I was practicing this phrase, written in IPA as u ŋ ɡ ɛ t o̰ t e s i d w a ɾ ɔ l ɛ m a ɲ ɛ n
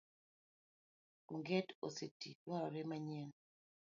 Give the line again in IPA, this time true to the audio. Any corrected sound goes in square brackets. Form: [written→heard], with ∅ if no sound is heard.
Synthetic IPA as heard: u ŋ ɡ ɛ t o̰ [t→s] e [s→t] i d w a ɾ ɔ [l→ɾ] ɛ m a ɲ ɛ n